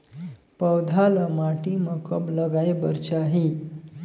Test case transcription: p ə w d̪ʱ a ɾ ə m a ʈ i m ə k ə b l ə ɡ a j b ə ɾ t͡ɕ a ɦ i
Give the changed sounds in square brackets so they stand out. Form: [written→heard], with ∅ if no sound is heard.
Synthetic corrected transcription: p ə w d̪ʱ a [ɾ→l] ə m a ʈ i m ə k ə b l ə ɡ a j b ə ɾ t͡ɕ a ɦ i